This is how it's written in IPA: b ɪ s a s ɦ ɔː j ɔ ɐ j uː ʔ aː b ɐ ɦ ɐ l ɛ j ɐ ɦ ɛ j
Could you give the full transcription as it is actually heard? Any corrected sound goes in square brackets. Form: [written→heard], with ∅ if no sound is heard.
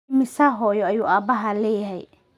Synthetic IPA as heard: [b→m] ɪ s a [s→∅] ɦ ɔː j ɔ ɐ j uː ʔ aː b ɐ ɦ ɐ l [ɛ→ɛː] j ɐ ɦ ɛ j